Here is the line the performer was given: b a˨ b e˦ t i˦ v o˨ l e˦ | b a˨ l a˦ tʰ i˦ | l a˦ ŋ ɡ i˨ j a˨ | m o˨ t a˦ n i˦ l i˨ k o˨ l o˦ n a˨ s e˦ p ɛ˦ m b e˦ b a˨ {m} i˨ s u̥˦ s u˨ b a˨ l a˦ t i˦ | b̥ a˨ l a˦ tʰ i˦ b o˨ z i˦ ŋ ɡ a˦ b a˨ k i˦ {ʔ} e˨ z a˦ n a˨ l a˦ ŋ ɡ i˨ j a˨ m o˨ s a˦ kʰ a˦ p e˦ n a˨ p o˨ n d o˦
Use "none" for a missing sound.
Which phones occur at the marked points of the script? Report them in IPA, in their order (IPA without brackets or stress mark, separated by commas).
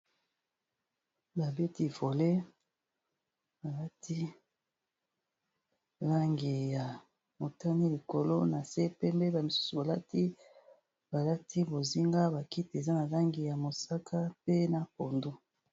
m, t